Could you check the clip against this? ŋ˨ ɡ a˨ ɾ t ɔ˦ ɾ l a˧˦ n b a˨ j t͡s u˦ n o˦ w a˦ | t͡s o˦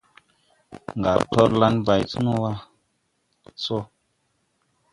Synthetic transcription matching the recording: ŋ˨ ɡ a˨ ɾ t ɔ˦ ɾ l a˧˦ n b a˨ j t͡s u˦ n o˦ w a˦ | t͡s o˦